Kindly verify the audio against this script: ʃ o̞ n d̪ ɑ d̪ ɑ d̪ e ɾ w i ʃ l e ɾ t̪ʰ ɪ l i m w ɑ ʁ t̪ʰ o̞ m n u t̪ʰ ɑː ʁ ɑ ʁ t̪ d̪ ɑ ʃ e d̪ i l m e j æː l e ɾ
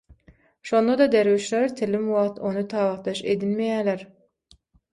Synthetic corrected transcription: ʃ o̞ n d̪ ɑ d̪ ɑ d̪ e ɾ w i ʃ l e ɾ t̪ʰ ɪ l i m w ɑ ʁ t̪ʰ o̞ n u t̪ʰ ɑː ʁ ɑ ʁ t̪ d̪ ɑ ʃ e d̪ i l m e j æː l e ɾ